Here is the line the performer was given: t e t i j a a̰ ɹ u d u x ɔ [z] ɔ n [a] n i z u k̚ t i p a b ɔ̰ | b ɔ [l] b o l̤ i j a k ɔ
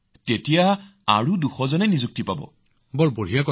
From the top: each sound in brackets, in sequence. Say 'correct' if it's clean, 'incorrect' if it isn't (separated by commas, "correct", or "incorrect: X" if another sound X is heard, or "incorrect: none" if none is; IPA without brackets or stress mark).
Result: correct, incorrect: ɛ, correct